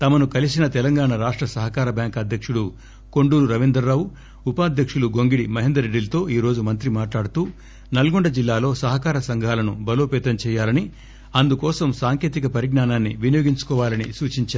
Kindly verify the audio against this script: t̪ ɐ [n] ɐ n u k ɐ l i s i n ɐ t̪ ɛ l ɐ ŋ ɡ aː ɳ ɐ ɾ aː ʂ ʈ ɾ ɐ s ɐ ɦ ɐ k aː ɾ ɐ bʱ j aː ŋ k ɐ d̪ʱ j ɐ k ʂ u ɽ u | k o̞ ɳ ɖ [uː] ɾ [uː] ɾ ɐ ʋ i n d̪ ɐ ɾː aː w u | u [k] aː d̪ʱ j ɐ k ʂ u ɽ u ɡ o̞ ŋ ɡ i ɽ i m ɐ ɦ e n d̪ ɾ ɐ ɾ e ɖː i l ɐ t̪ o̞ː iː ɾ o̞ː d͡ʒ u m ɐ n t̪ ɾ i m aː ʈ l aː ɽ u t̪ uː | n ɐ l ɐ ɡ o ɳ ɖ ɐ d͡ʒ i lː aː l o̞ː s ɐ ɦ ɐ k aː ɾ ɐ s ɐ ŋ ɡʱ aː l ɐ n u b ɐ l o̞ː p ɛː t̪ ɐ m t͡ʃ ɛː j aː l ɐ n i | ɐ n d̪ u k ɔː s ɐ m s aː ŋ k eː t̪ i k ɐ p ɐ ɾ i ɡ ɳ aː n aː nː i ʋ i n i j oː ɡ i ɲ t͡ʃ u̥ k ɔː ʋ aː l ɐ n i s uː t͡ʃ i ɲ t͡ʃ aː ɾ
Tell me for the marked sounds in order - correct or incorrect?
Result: incorrect: m, correct, incorrect: u, incorrect: p

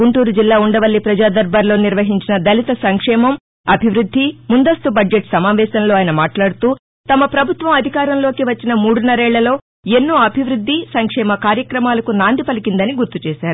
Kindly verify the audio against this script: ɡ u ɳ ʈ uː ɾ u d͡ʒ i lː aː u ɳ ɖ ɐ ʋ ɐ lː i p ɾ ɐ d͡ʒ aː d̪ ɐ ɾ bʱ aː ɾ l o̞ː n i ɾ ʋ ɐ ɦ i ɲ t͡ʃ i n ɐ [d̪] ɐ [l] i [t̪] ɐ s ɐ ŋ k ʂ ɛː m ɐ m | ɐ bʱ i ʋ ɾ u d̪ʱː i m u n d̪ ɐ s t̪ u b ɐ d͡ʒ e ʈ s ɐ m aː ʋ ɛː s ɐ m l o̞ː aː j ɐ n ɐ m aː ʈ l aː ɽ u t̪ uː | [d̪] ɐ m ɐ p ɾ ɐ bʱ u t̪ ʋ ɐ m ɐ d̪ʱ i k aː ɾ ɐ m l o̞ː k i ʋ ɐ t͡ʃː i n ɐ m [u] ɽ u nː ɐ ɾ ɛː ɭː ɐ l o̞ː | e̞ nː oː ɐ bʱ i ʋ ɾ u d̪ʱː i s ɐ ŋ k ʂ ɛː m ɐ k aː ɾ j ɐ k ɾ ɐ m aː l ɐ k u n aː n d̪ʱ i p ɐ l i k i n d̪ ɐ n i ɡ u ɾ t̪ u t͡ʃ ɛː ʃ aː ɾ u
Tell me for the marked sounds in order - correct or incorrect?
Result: correct, correct, correct, incorrect: t̪, incorrect: uː

